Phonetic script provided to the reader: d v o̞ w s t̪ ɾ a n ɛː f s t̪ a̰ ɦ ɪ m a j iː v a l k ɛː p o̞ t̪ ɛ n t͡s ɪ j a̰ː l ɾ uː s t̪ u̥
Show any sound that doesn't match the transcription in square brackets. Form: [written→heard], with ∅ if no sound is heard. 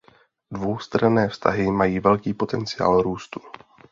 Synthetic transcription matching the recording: d v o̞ w s t̪ ɾ a n ɛː f s t̪ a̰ ɦ ɪ m a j iː v [a→ɛ] l k [ɛː→iː] p o̞ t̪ ɛ n t͡s ɪ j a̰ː l ɾ uː s t̪ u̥